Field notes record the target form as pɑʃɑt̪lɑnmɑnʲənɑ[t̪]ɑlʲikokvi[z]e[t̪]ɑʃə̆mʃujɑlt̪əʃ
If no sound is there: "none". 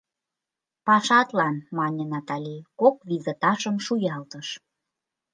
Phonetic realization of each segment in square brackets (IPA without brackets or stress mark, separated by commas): t̪, z, t̪